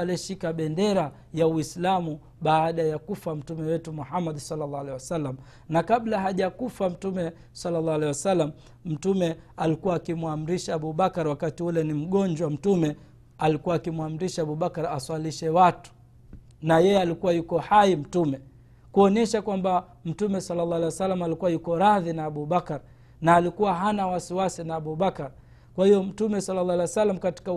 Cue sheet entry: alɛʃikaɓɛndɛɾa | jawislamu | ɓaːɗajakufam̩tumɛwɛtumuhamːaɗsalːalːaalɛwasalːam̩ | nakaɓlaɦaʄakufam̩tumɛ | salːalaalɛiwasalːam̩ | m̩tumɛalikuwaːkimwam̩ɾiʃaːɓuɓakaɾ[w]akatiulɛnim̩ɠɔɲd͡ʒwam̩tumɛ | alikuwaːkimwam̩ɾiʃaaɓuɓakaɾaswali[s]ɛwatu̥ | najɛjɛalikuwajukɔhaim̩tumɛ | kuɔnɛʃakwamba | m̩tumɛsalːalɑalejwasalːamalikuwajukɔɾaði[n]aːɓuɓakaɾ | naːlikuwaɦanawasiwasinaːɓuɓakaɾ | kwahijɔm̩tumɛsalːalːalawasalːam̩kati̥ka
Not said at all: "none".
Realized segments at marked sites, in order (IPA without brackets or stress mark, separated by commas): w, ʃ, n